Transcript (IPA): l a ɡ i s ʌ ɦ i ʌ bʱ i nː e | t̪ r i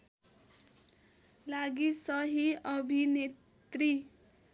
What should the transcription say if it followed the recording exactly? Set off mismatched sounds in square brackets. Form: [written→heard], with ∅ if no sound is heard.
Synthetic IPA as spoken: l a ɡ i s ʌ ɦ i ʌ bʱ i [nː→n] e | t̪ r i